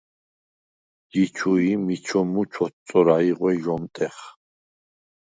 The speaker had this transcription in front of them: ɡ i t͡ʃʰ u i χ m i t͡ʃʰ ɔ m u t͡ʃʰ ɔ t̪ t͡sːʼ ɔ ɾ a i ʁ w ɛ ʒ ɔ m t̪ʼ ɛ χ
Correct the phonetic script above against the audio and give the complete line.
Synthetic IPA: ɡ i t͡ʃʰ u i m i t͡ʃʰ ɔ m u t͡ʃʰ ɔ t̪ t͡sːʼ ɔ ɾ a i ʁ w ɛ ʒ ɔ m t̪ʼ ɛ χ